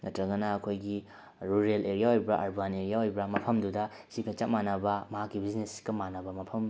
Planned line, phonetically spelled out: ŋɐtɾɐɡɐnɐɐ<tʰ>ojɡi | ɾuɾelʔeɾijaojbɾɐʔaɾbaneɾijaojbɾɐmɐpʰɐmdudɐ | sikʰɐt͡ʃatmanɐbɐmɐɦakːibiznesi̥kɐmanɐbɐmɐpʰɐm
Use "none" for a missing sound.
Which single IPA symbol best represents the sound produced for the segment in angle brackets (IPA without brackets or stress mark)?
kʰ